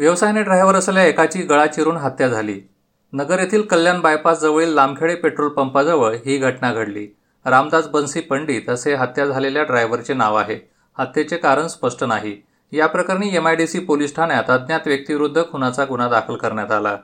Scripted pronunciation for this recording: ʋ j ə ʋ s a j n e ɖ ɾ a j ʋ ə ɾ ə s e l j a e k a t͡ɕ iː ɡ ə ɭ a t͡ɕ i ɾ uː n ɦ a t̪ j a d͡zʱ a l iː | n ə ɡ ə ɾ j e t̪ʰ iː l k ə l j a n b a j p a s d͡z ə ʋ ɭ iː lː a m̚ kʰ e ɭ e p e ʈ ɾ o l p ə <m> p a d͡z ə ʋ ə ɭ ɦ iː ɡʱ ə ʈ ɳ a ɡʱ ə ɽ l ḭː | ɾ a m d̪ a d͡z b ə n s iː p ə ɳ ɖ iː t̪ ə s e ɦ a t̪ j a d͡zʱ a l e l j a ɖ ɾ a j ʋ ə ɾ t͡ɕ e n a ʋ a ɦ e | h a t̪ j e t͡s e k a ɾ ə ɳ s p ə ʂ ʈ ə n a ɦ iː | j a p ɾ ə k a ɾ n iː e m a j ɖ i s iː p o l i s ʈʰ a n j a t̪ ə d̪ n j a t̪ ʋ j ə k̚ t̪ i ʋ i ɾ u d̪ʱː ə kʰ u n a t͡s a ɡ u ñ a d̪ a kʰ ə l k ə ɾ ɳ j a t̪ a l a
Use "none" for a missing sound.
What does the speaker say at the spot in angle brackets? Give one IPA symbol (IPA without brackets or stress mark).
m